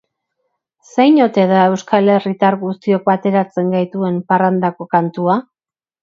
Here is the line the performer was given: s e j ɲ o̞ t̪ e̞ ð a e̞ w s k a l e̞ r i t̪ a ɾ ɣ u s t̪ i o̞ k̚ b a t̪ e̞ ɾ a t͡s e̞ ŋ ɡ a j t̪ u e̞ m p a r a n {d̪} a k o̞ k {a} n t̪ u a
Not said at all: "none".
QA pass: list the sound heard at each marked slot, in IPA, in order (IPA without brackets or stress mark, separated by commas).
d̪, a